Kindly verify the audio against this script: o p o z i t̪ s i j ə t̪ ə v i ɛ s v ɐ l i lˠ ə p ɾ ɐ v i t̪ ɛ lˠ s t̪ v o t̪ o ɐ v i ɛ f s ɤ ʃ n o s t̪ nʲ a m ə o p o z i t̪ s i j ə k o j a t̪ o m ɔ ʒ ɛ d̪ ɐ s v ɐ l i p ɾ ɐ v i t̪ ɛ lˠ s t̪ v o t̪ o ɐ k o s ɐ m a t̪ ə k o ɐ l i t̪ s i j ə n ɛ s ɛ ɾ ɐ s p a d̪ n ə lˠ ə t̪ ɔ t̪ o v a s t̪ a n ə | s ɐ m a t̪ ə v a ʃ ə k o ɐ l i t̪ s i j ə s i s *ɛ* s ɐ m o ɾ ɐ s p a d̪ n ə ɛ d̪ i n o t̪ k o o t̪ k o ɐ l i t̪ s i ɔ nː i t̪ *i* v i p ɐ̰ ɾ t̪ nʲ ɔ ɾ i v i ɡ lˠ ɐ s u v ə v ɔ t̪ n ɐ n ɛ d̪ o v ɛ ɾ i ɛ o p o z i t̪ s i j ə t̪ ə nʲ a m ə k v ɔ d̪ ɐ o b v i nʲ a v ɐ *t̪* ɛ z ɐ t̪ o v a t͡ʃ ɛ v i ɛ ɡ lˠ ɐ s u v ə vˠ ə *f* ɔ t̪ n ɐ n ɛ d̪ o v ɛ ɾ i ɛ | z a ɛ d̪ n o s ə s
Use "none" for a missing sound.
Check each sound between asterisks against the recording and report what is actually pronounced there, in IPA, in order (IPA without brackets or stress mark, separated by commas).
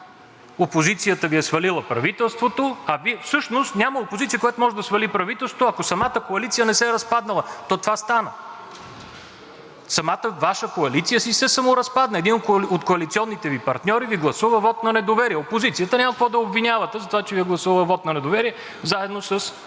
ɛ, ɛ, t̪, v